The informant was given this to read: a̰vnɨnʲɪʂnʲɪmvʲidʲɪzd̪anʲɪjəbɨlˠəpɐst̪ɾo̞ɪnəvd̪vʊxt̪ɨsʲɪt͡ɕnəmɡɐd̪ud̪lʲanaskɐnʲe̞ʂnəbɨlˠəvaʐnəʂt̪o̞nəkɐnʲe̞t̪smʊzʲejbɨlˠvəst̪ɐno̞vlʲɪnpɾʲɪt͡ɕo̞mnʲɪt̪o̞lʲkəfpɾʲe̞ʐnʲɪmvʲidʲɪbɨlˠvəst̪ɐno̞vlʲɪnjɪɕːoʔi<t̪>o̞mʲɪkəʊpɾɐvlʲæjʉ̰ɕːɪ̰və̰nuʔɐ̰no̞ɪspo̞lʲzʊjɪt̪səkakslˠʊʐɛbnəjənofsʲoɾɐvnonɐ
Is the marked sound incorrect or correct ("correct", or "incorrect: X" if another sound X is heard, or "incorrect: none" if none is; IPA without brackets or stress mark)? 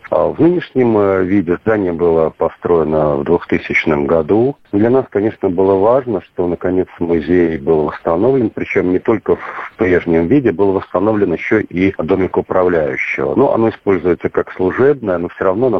incorrect: d̪